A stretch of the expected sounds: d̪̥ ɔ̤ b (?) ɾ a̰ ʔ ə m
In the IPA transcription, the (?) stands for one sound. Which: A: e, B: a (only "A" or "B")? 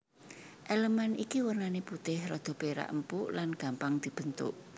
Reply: A